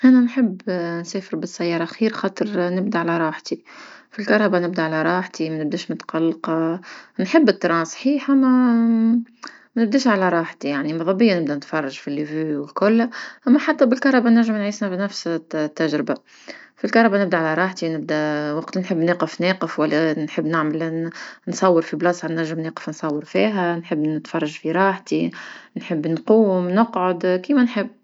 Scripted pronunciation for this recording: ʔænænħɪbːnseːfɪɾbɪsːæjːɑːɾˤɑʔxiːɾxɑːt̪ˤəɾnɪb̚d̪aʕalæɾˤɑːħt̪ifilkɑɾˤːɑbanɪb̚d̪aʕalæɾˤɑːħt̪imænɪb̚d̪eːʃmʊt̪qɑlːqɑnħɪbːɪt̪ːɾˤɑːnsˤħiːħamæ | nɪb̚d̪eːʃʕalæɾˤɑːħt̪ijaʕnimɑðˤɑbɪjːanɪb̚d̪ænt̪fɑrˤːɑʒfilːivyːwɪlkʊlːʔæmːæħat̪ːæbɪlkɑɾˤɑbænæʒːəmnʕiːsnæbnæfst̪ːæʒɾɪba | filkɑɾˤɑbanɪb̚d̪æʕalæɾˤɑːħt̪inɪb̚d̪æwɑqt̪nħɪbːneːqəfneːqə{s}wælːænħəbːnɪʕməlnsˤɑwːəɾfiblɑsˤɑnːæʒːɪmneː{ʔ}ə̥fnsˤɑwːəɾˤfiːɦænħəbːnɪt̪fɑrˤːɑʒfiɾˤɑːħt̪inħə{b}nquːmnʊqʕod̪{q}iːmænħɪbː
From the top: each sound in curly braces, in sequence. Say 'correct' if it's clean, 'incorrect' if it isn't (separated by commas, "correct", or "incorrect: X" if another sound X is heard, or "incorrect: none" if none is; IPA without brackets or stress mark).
incorrect: f, incorrect: q, incorrect: bː, incorrect: k